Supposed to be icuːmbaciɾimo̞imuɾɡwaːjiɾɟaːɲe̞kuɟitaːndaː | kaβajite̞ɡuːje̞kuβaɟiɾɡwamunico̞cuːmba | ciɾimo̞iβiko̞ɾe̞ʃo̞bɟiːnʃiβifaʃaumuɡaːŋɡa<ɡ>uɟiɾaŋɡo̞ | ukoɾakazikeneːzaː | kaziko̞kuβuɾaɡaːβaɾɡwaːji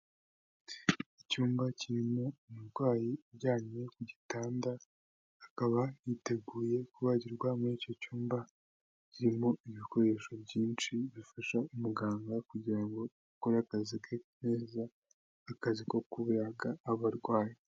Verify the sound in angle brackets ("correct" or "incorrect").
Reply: incorrect